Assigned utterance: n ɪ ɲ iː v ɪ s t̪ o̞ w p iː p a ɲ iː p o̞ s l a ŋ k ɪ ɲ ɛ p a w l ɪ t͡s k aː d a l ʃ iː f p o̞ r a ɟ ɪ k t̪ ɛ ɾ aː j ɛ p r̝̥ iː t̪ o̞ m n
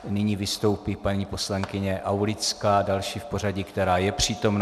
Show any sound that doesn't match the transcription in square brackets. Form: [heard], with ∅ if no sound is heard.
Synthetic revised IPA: n ɪ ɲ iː v ɪ s t̪ o̞ w p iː p a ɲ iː p o̞ s l a ŋ k ɪ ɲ ɛ [ʔ] a w l ɪ t͡s k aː d a l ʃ iː f p o̞ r a ɟ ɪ k t̪ ɛ ɾ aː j ɛ p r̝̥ iː t̪ o̞ m n